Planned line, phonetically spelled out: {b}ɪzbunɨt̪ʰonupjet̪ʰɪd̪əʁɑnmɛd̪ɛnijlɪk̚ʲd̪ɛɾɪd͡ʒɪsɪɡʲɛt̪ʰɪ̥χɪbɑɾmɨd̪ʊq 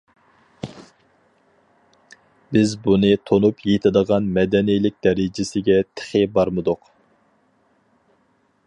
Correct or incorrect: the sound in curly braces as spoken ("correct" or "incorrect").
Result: correct